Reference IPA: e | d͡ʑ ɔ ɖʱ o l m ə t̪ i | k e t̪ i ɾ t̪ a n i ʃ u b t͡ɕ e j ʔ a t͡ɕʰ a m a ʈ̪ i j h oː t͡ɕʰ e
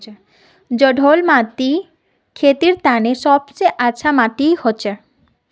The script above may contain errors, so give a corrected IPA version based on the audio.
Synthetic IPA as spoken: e | d͡ʑ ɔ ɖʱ o l m a t̪ i | kʰ e t̪ i ɾ t̪ a n e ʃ ɔ b t͡ɕ e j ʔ a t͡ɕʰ a m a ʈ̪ i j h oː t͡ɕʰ e

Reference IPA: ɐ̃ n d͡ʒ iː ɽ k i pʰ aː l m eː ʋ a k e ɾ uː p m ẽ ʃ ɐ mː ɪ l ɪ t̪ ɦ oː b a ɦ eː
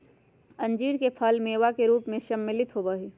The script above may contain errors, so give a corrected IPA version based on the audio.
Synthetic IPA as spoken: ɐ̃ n d͡ʒ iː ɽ k e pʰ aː l m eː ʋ a k e ɾ uː p m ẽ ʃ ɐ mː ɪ l ɪ t̪ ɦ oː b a ɦ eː

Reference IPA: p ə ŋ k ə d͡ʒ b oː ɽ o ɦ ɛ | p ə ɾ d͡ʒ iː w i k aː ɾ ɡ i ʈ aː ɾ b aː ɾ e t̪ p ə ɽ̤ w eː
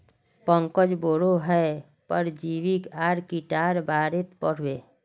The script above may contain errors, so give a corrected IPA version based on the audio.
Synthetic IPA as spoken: p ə ŋ k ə d͡ʒ b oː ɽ o ɦ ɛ | p ə ɾ d͡ʒ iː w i k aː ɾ k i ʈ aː ɾ b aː ɾ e t̪ p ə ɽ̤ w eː

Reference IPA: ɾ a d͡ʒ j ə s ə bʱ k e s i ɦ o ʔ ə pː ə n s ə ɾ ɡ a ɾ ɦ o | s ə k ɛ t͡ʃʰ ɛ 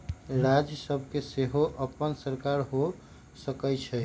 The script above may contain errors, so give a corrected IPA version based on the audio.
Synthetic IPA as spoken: ɾ a d͡ʒ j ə s ə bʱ k e s e ɦ o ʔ ə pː ə n s ə ɾ k a ɾ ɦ o | s ə k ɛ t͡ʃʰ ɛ

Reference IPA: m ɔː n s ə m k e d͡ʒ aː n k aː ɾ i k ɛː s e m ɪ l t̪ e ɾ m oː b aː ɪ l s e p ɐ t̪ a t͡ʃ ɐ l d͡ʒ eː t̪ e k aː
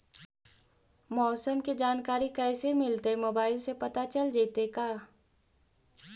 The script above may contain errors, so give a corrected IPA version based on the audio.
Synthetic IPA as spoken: m ɔː s ə m k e d͡ʒ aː n k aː ɾ i k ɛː s e m ɪ l t̪ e m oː b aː ɪ l s e p ɐ t̪ a t͡ʃ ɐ l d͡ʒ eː t̪ e k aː

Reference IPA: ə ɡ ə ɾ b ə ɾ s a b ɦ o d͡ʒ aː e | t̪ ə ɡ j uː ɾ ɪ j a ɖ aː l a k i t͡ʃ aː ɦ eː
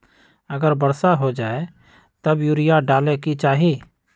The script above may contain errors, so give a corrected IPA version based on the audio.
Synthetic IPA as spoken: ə ɡ ə ɾ b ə ɾ s a ɦ o d͡ʒ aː e | t̪ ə b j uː ɾ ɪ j a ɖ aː l e k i t͡ʃ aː ɦ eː

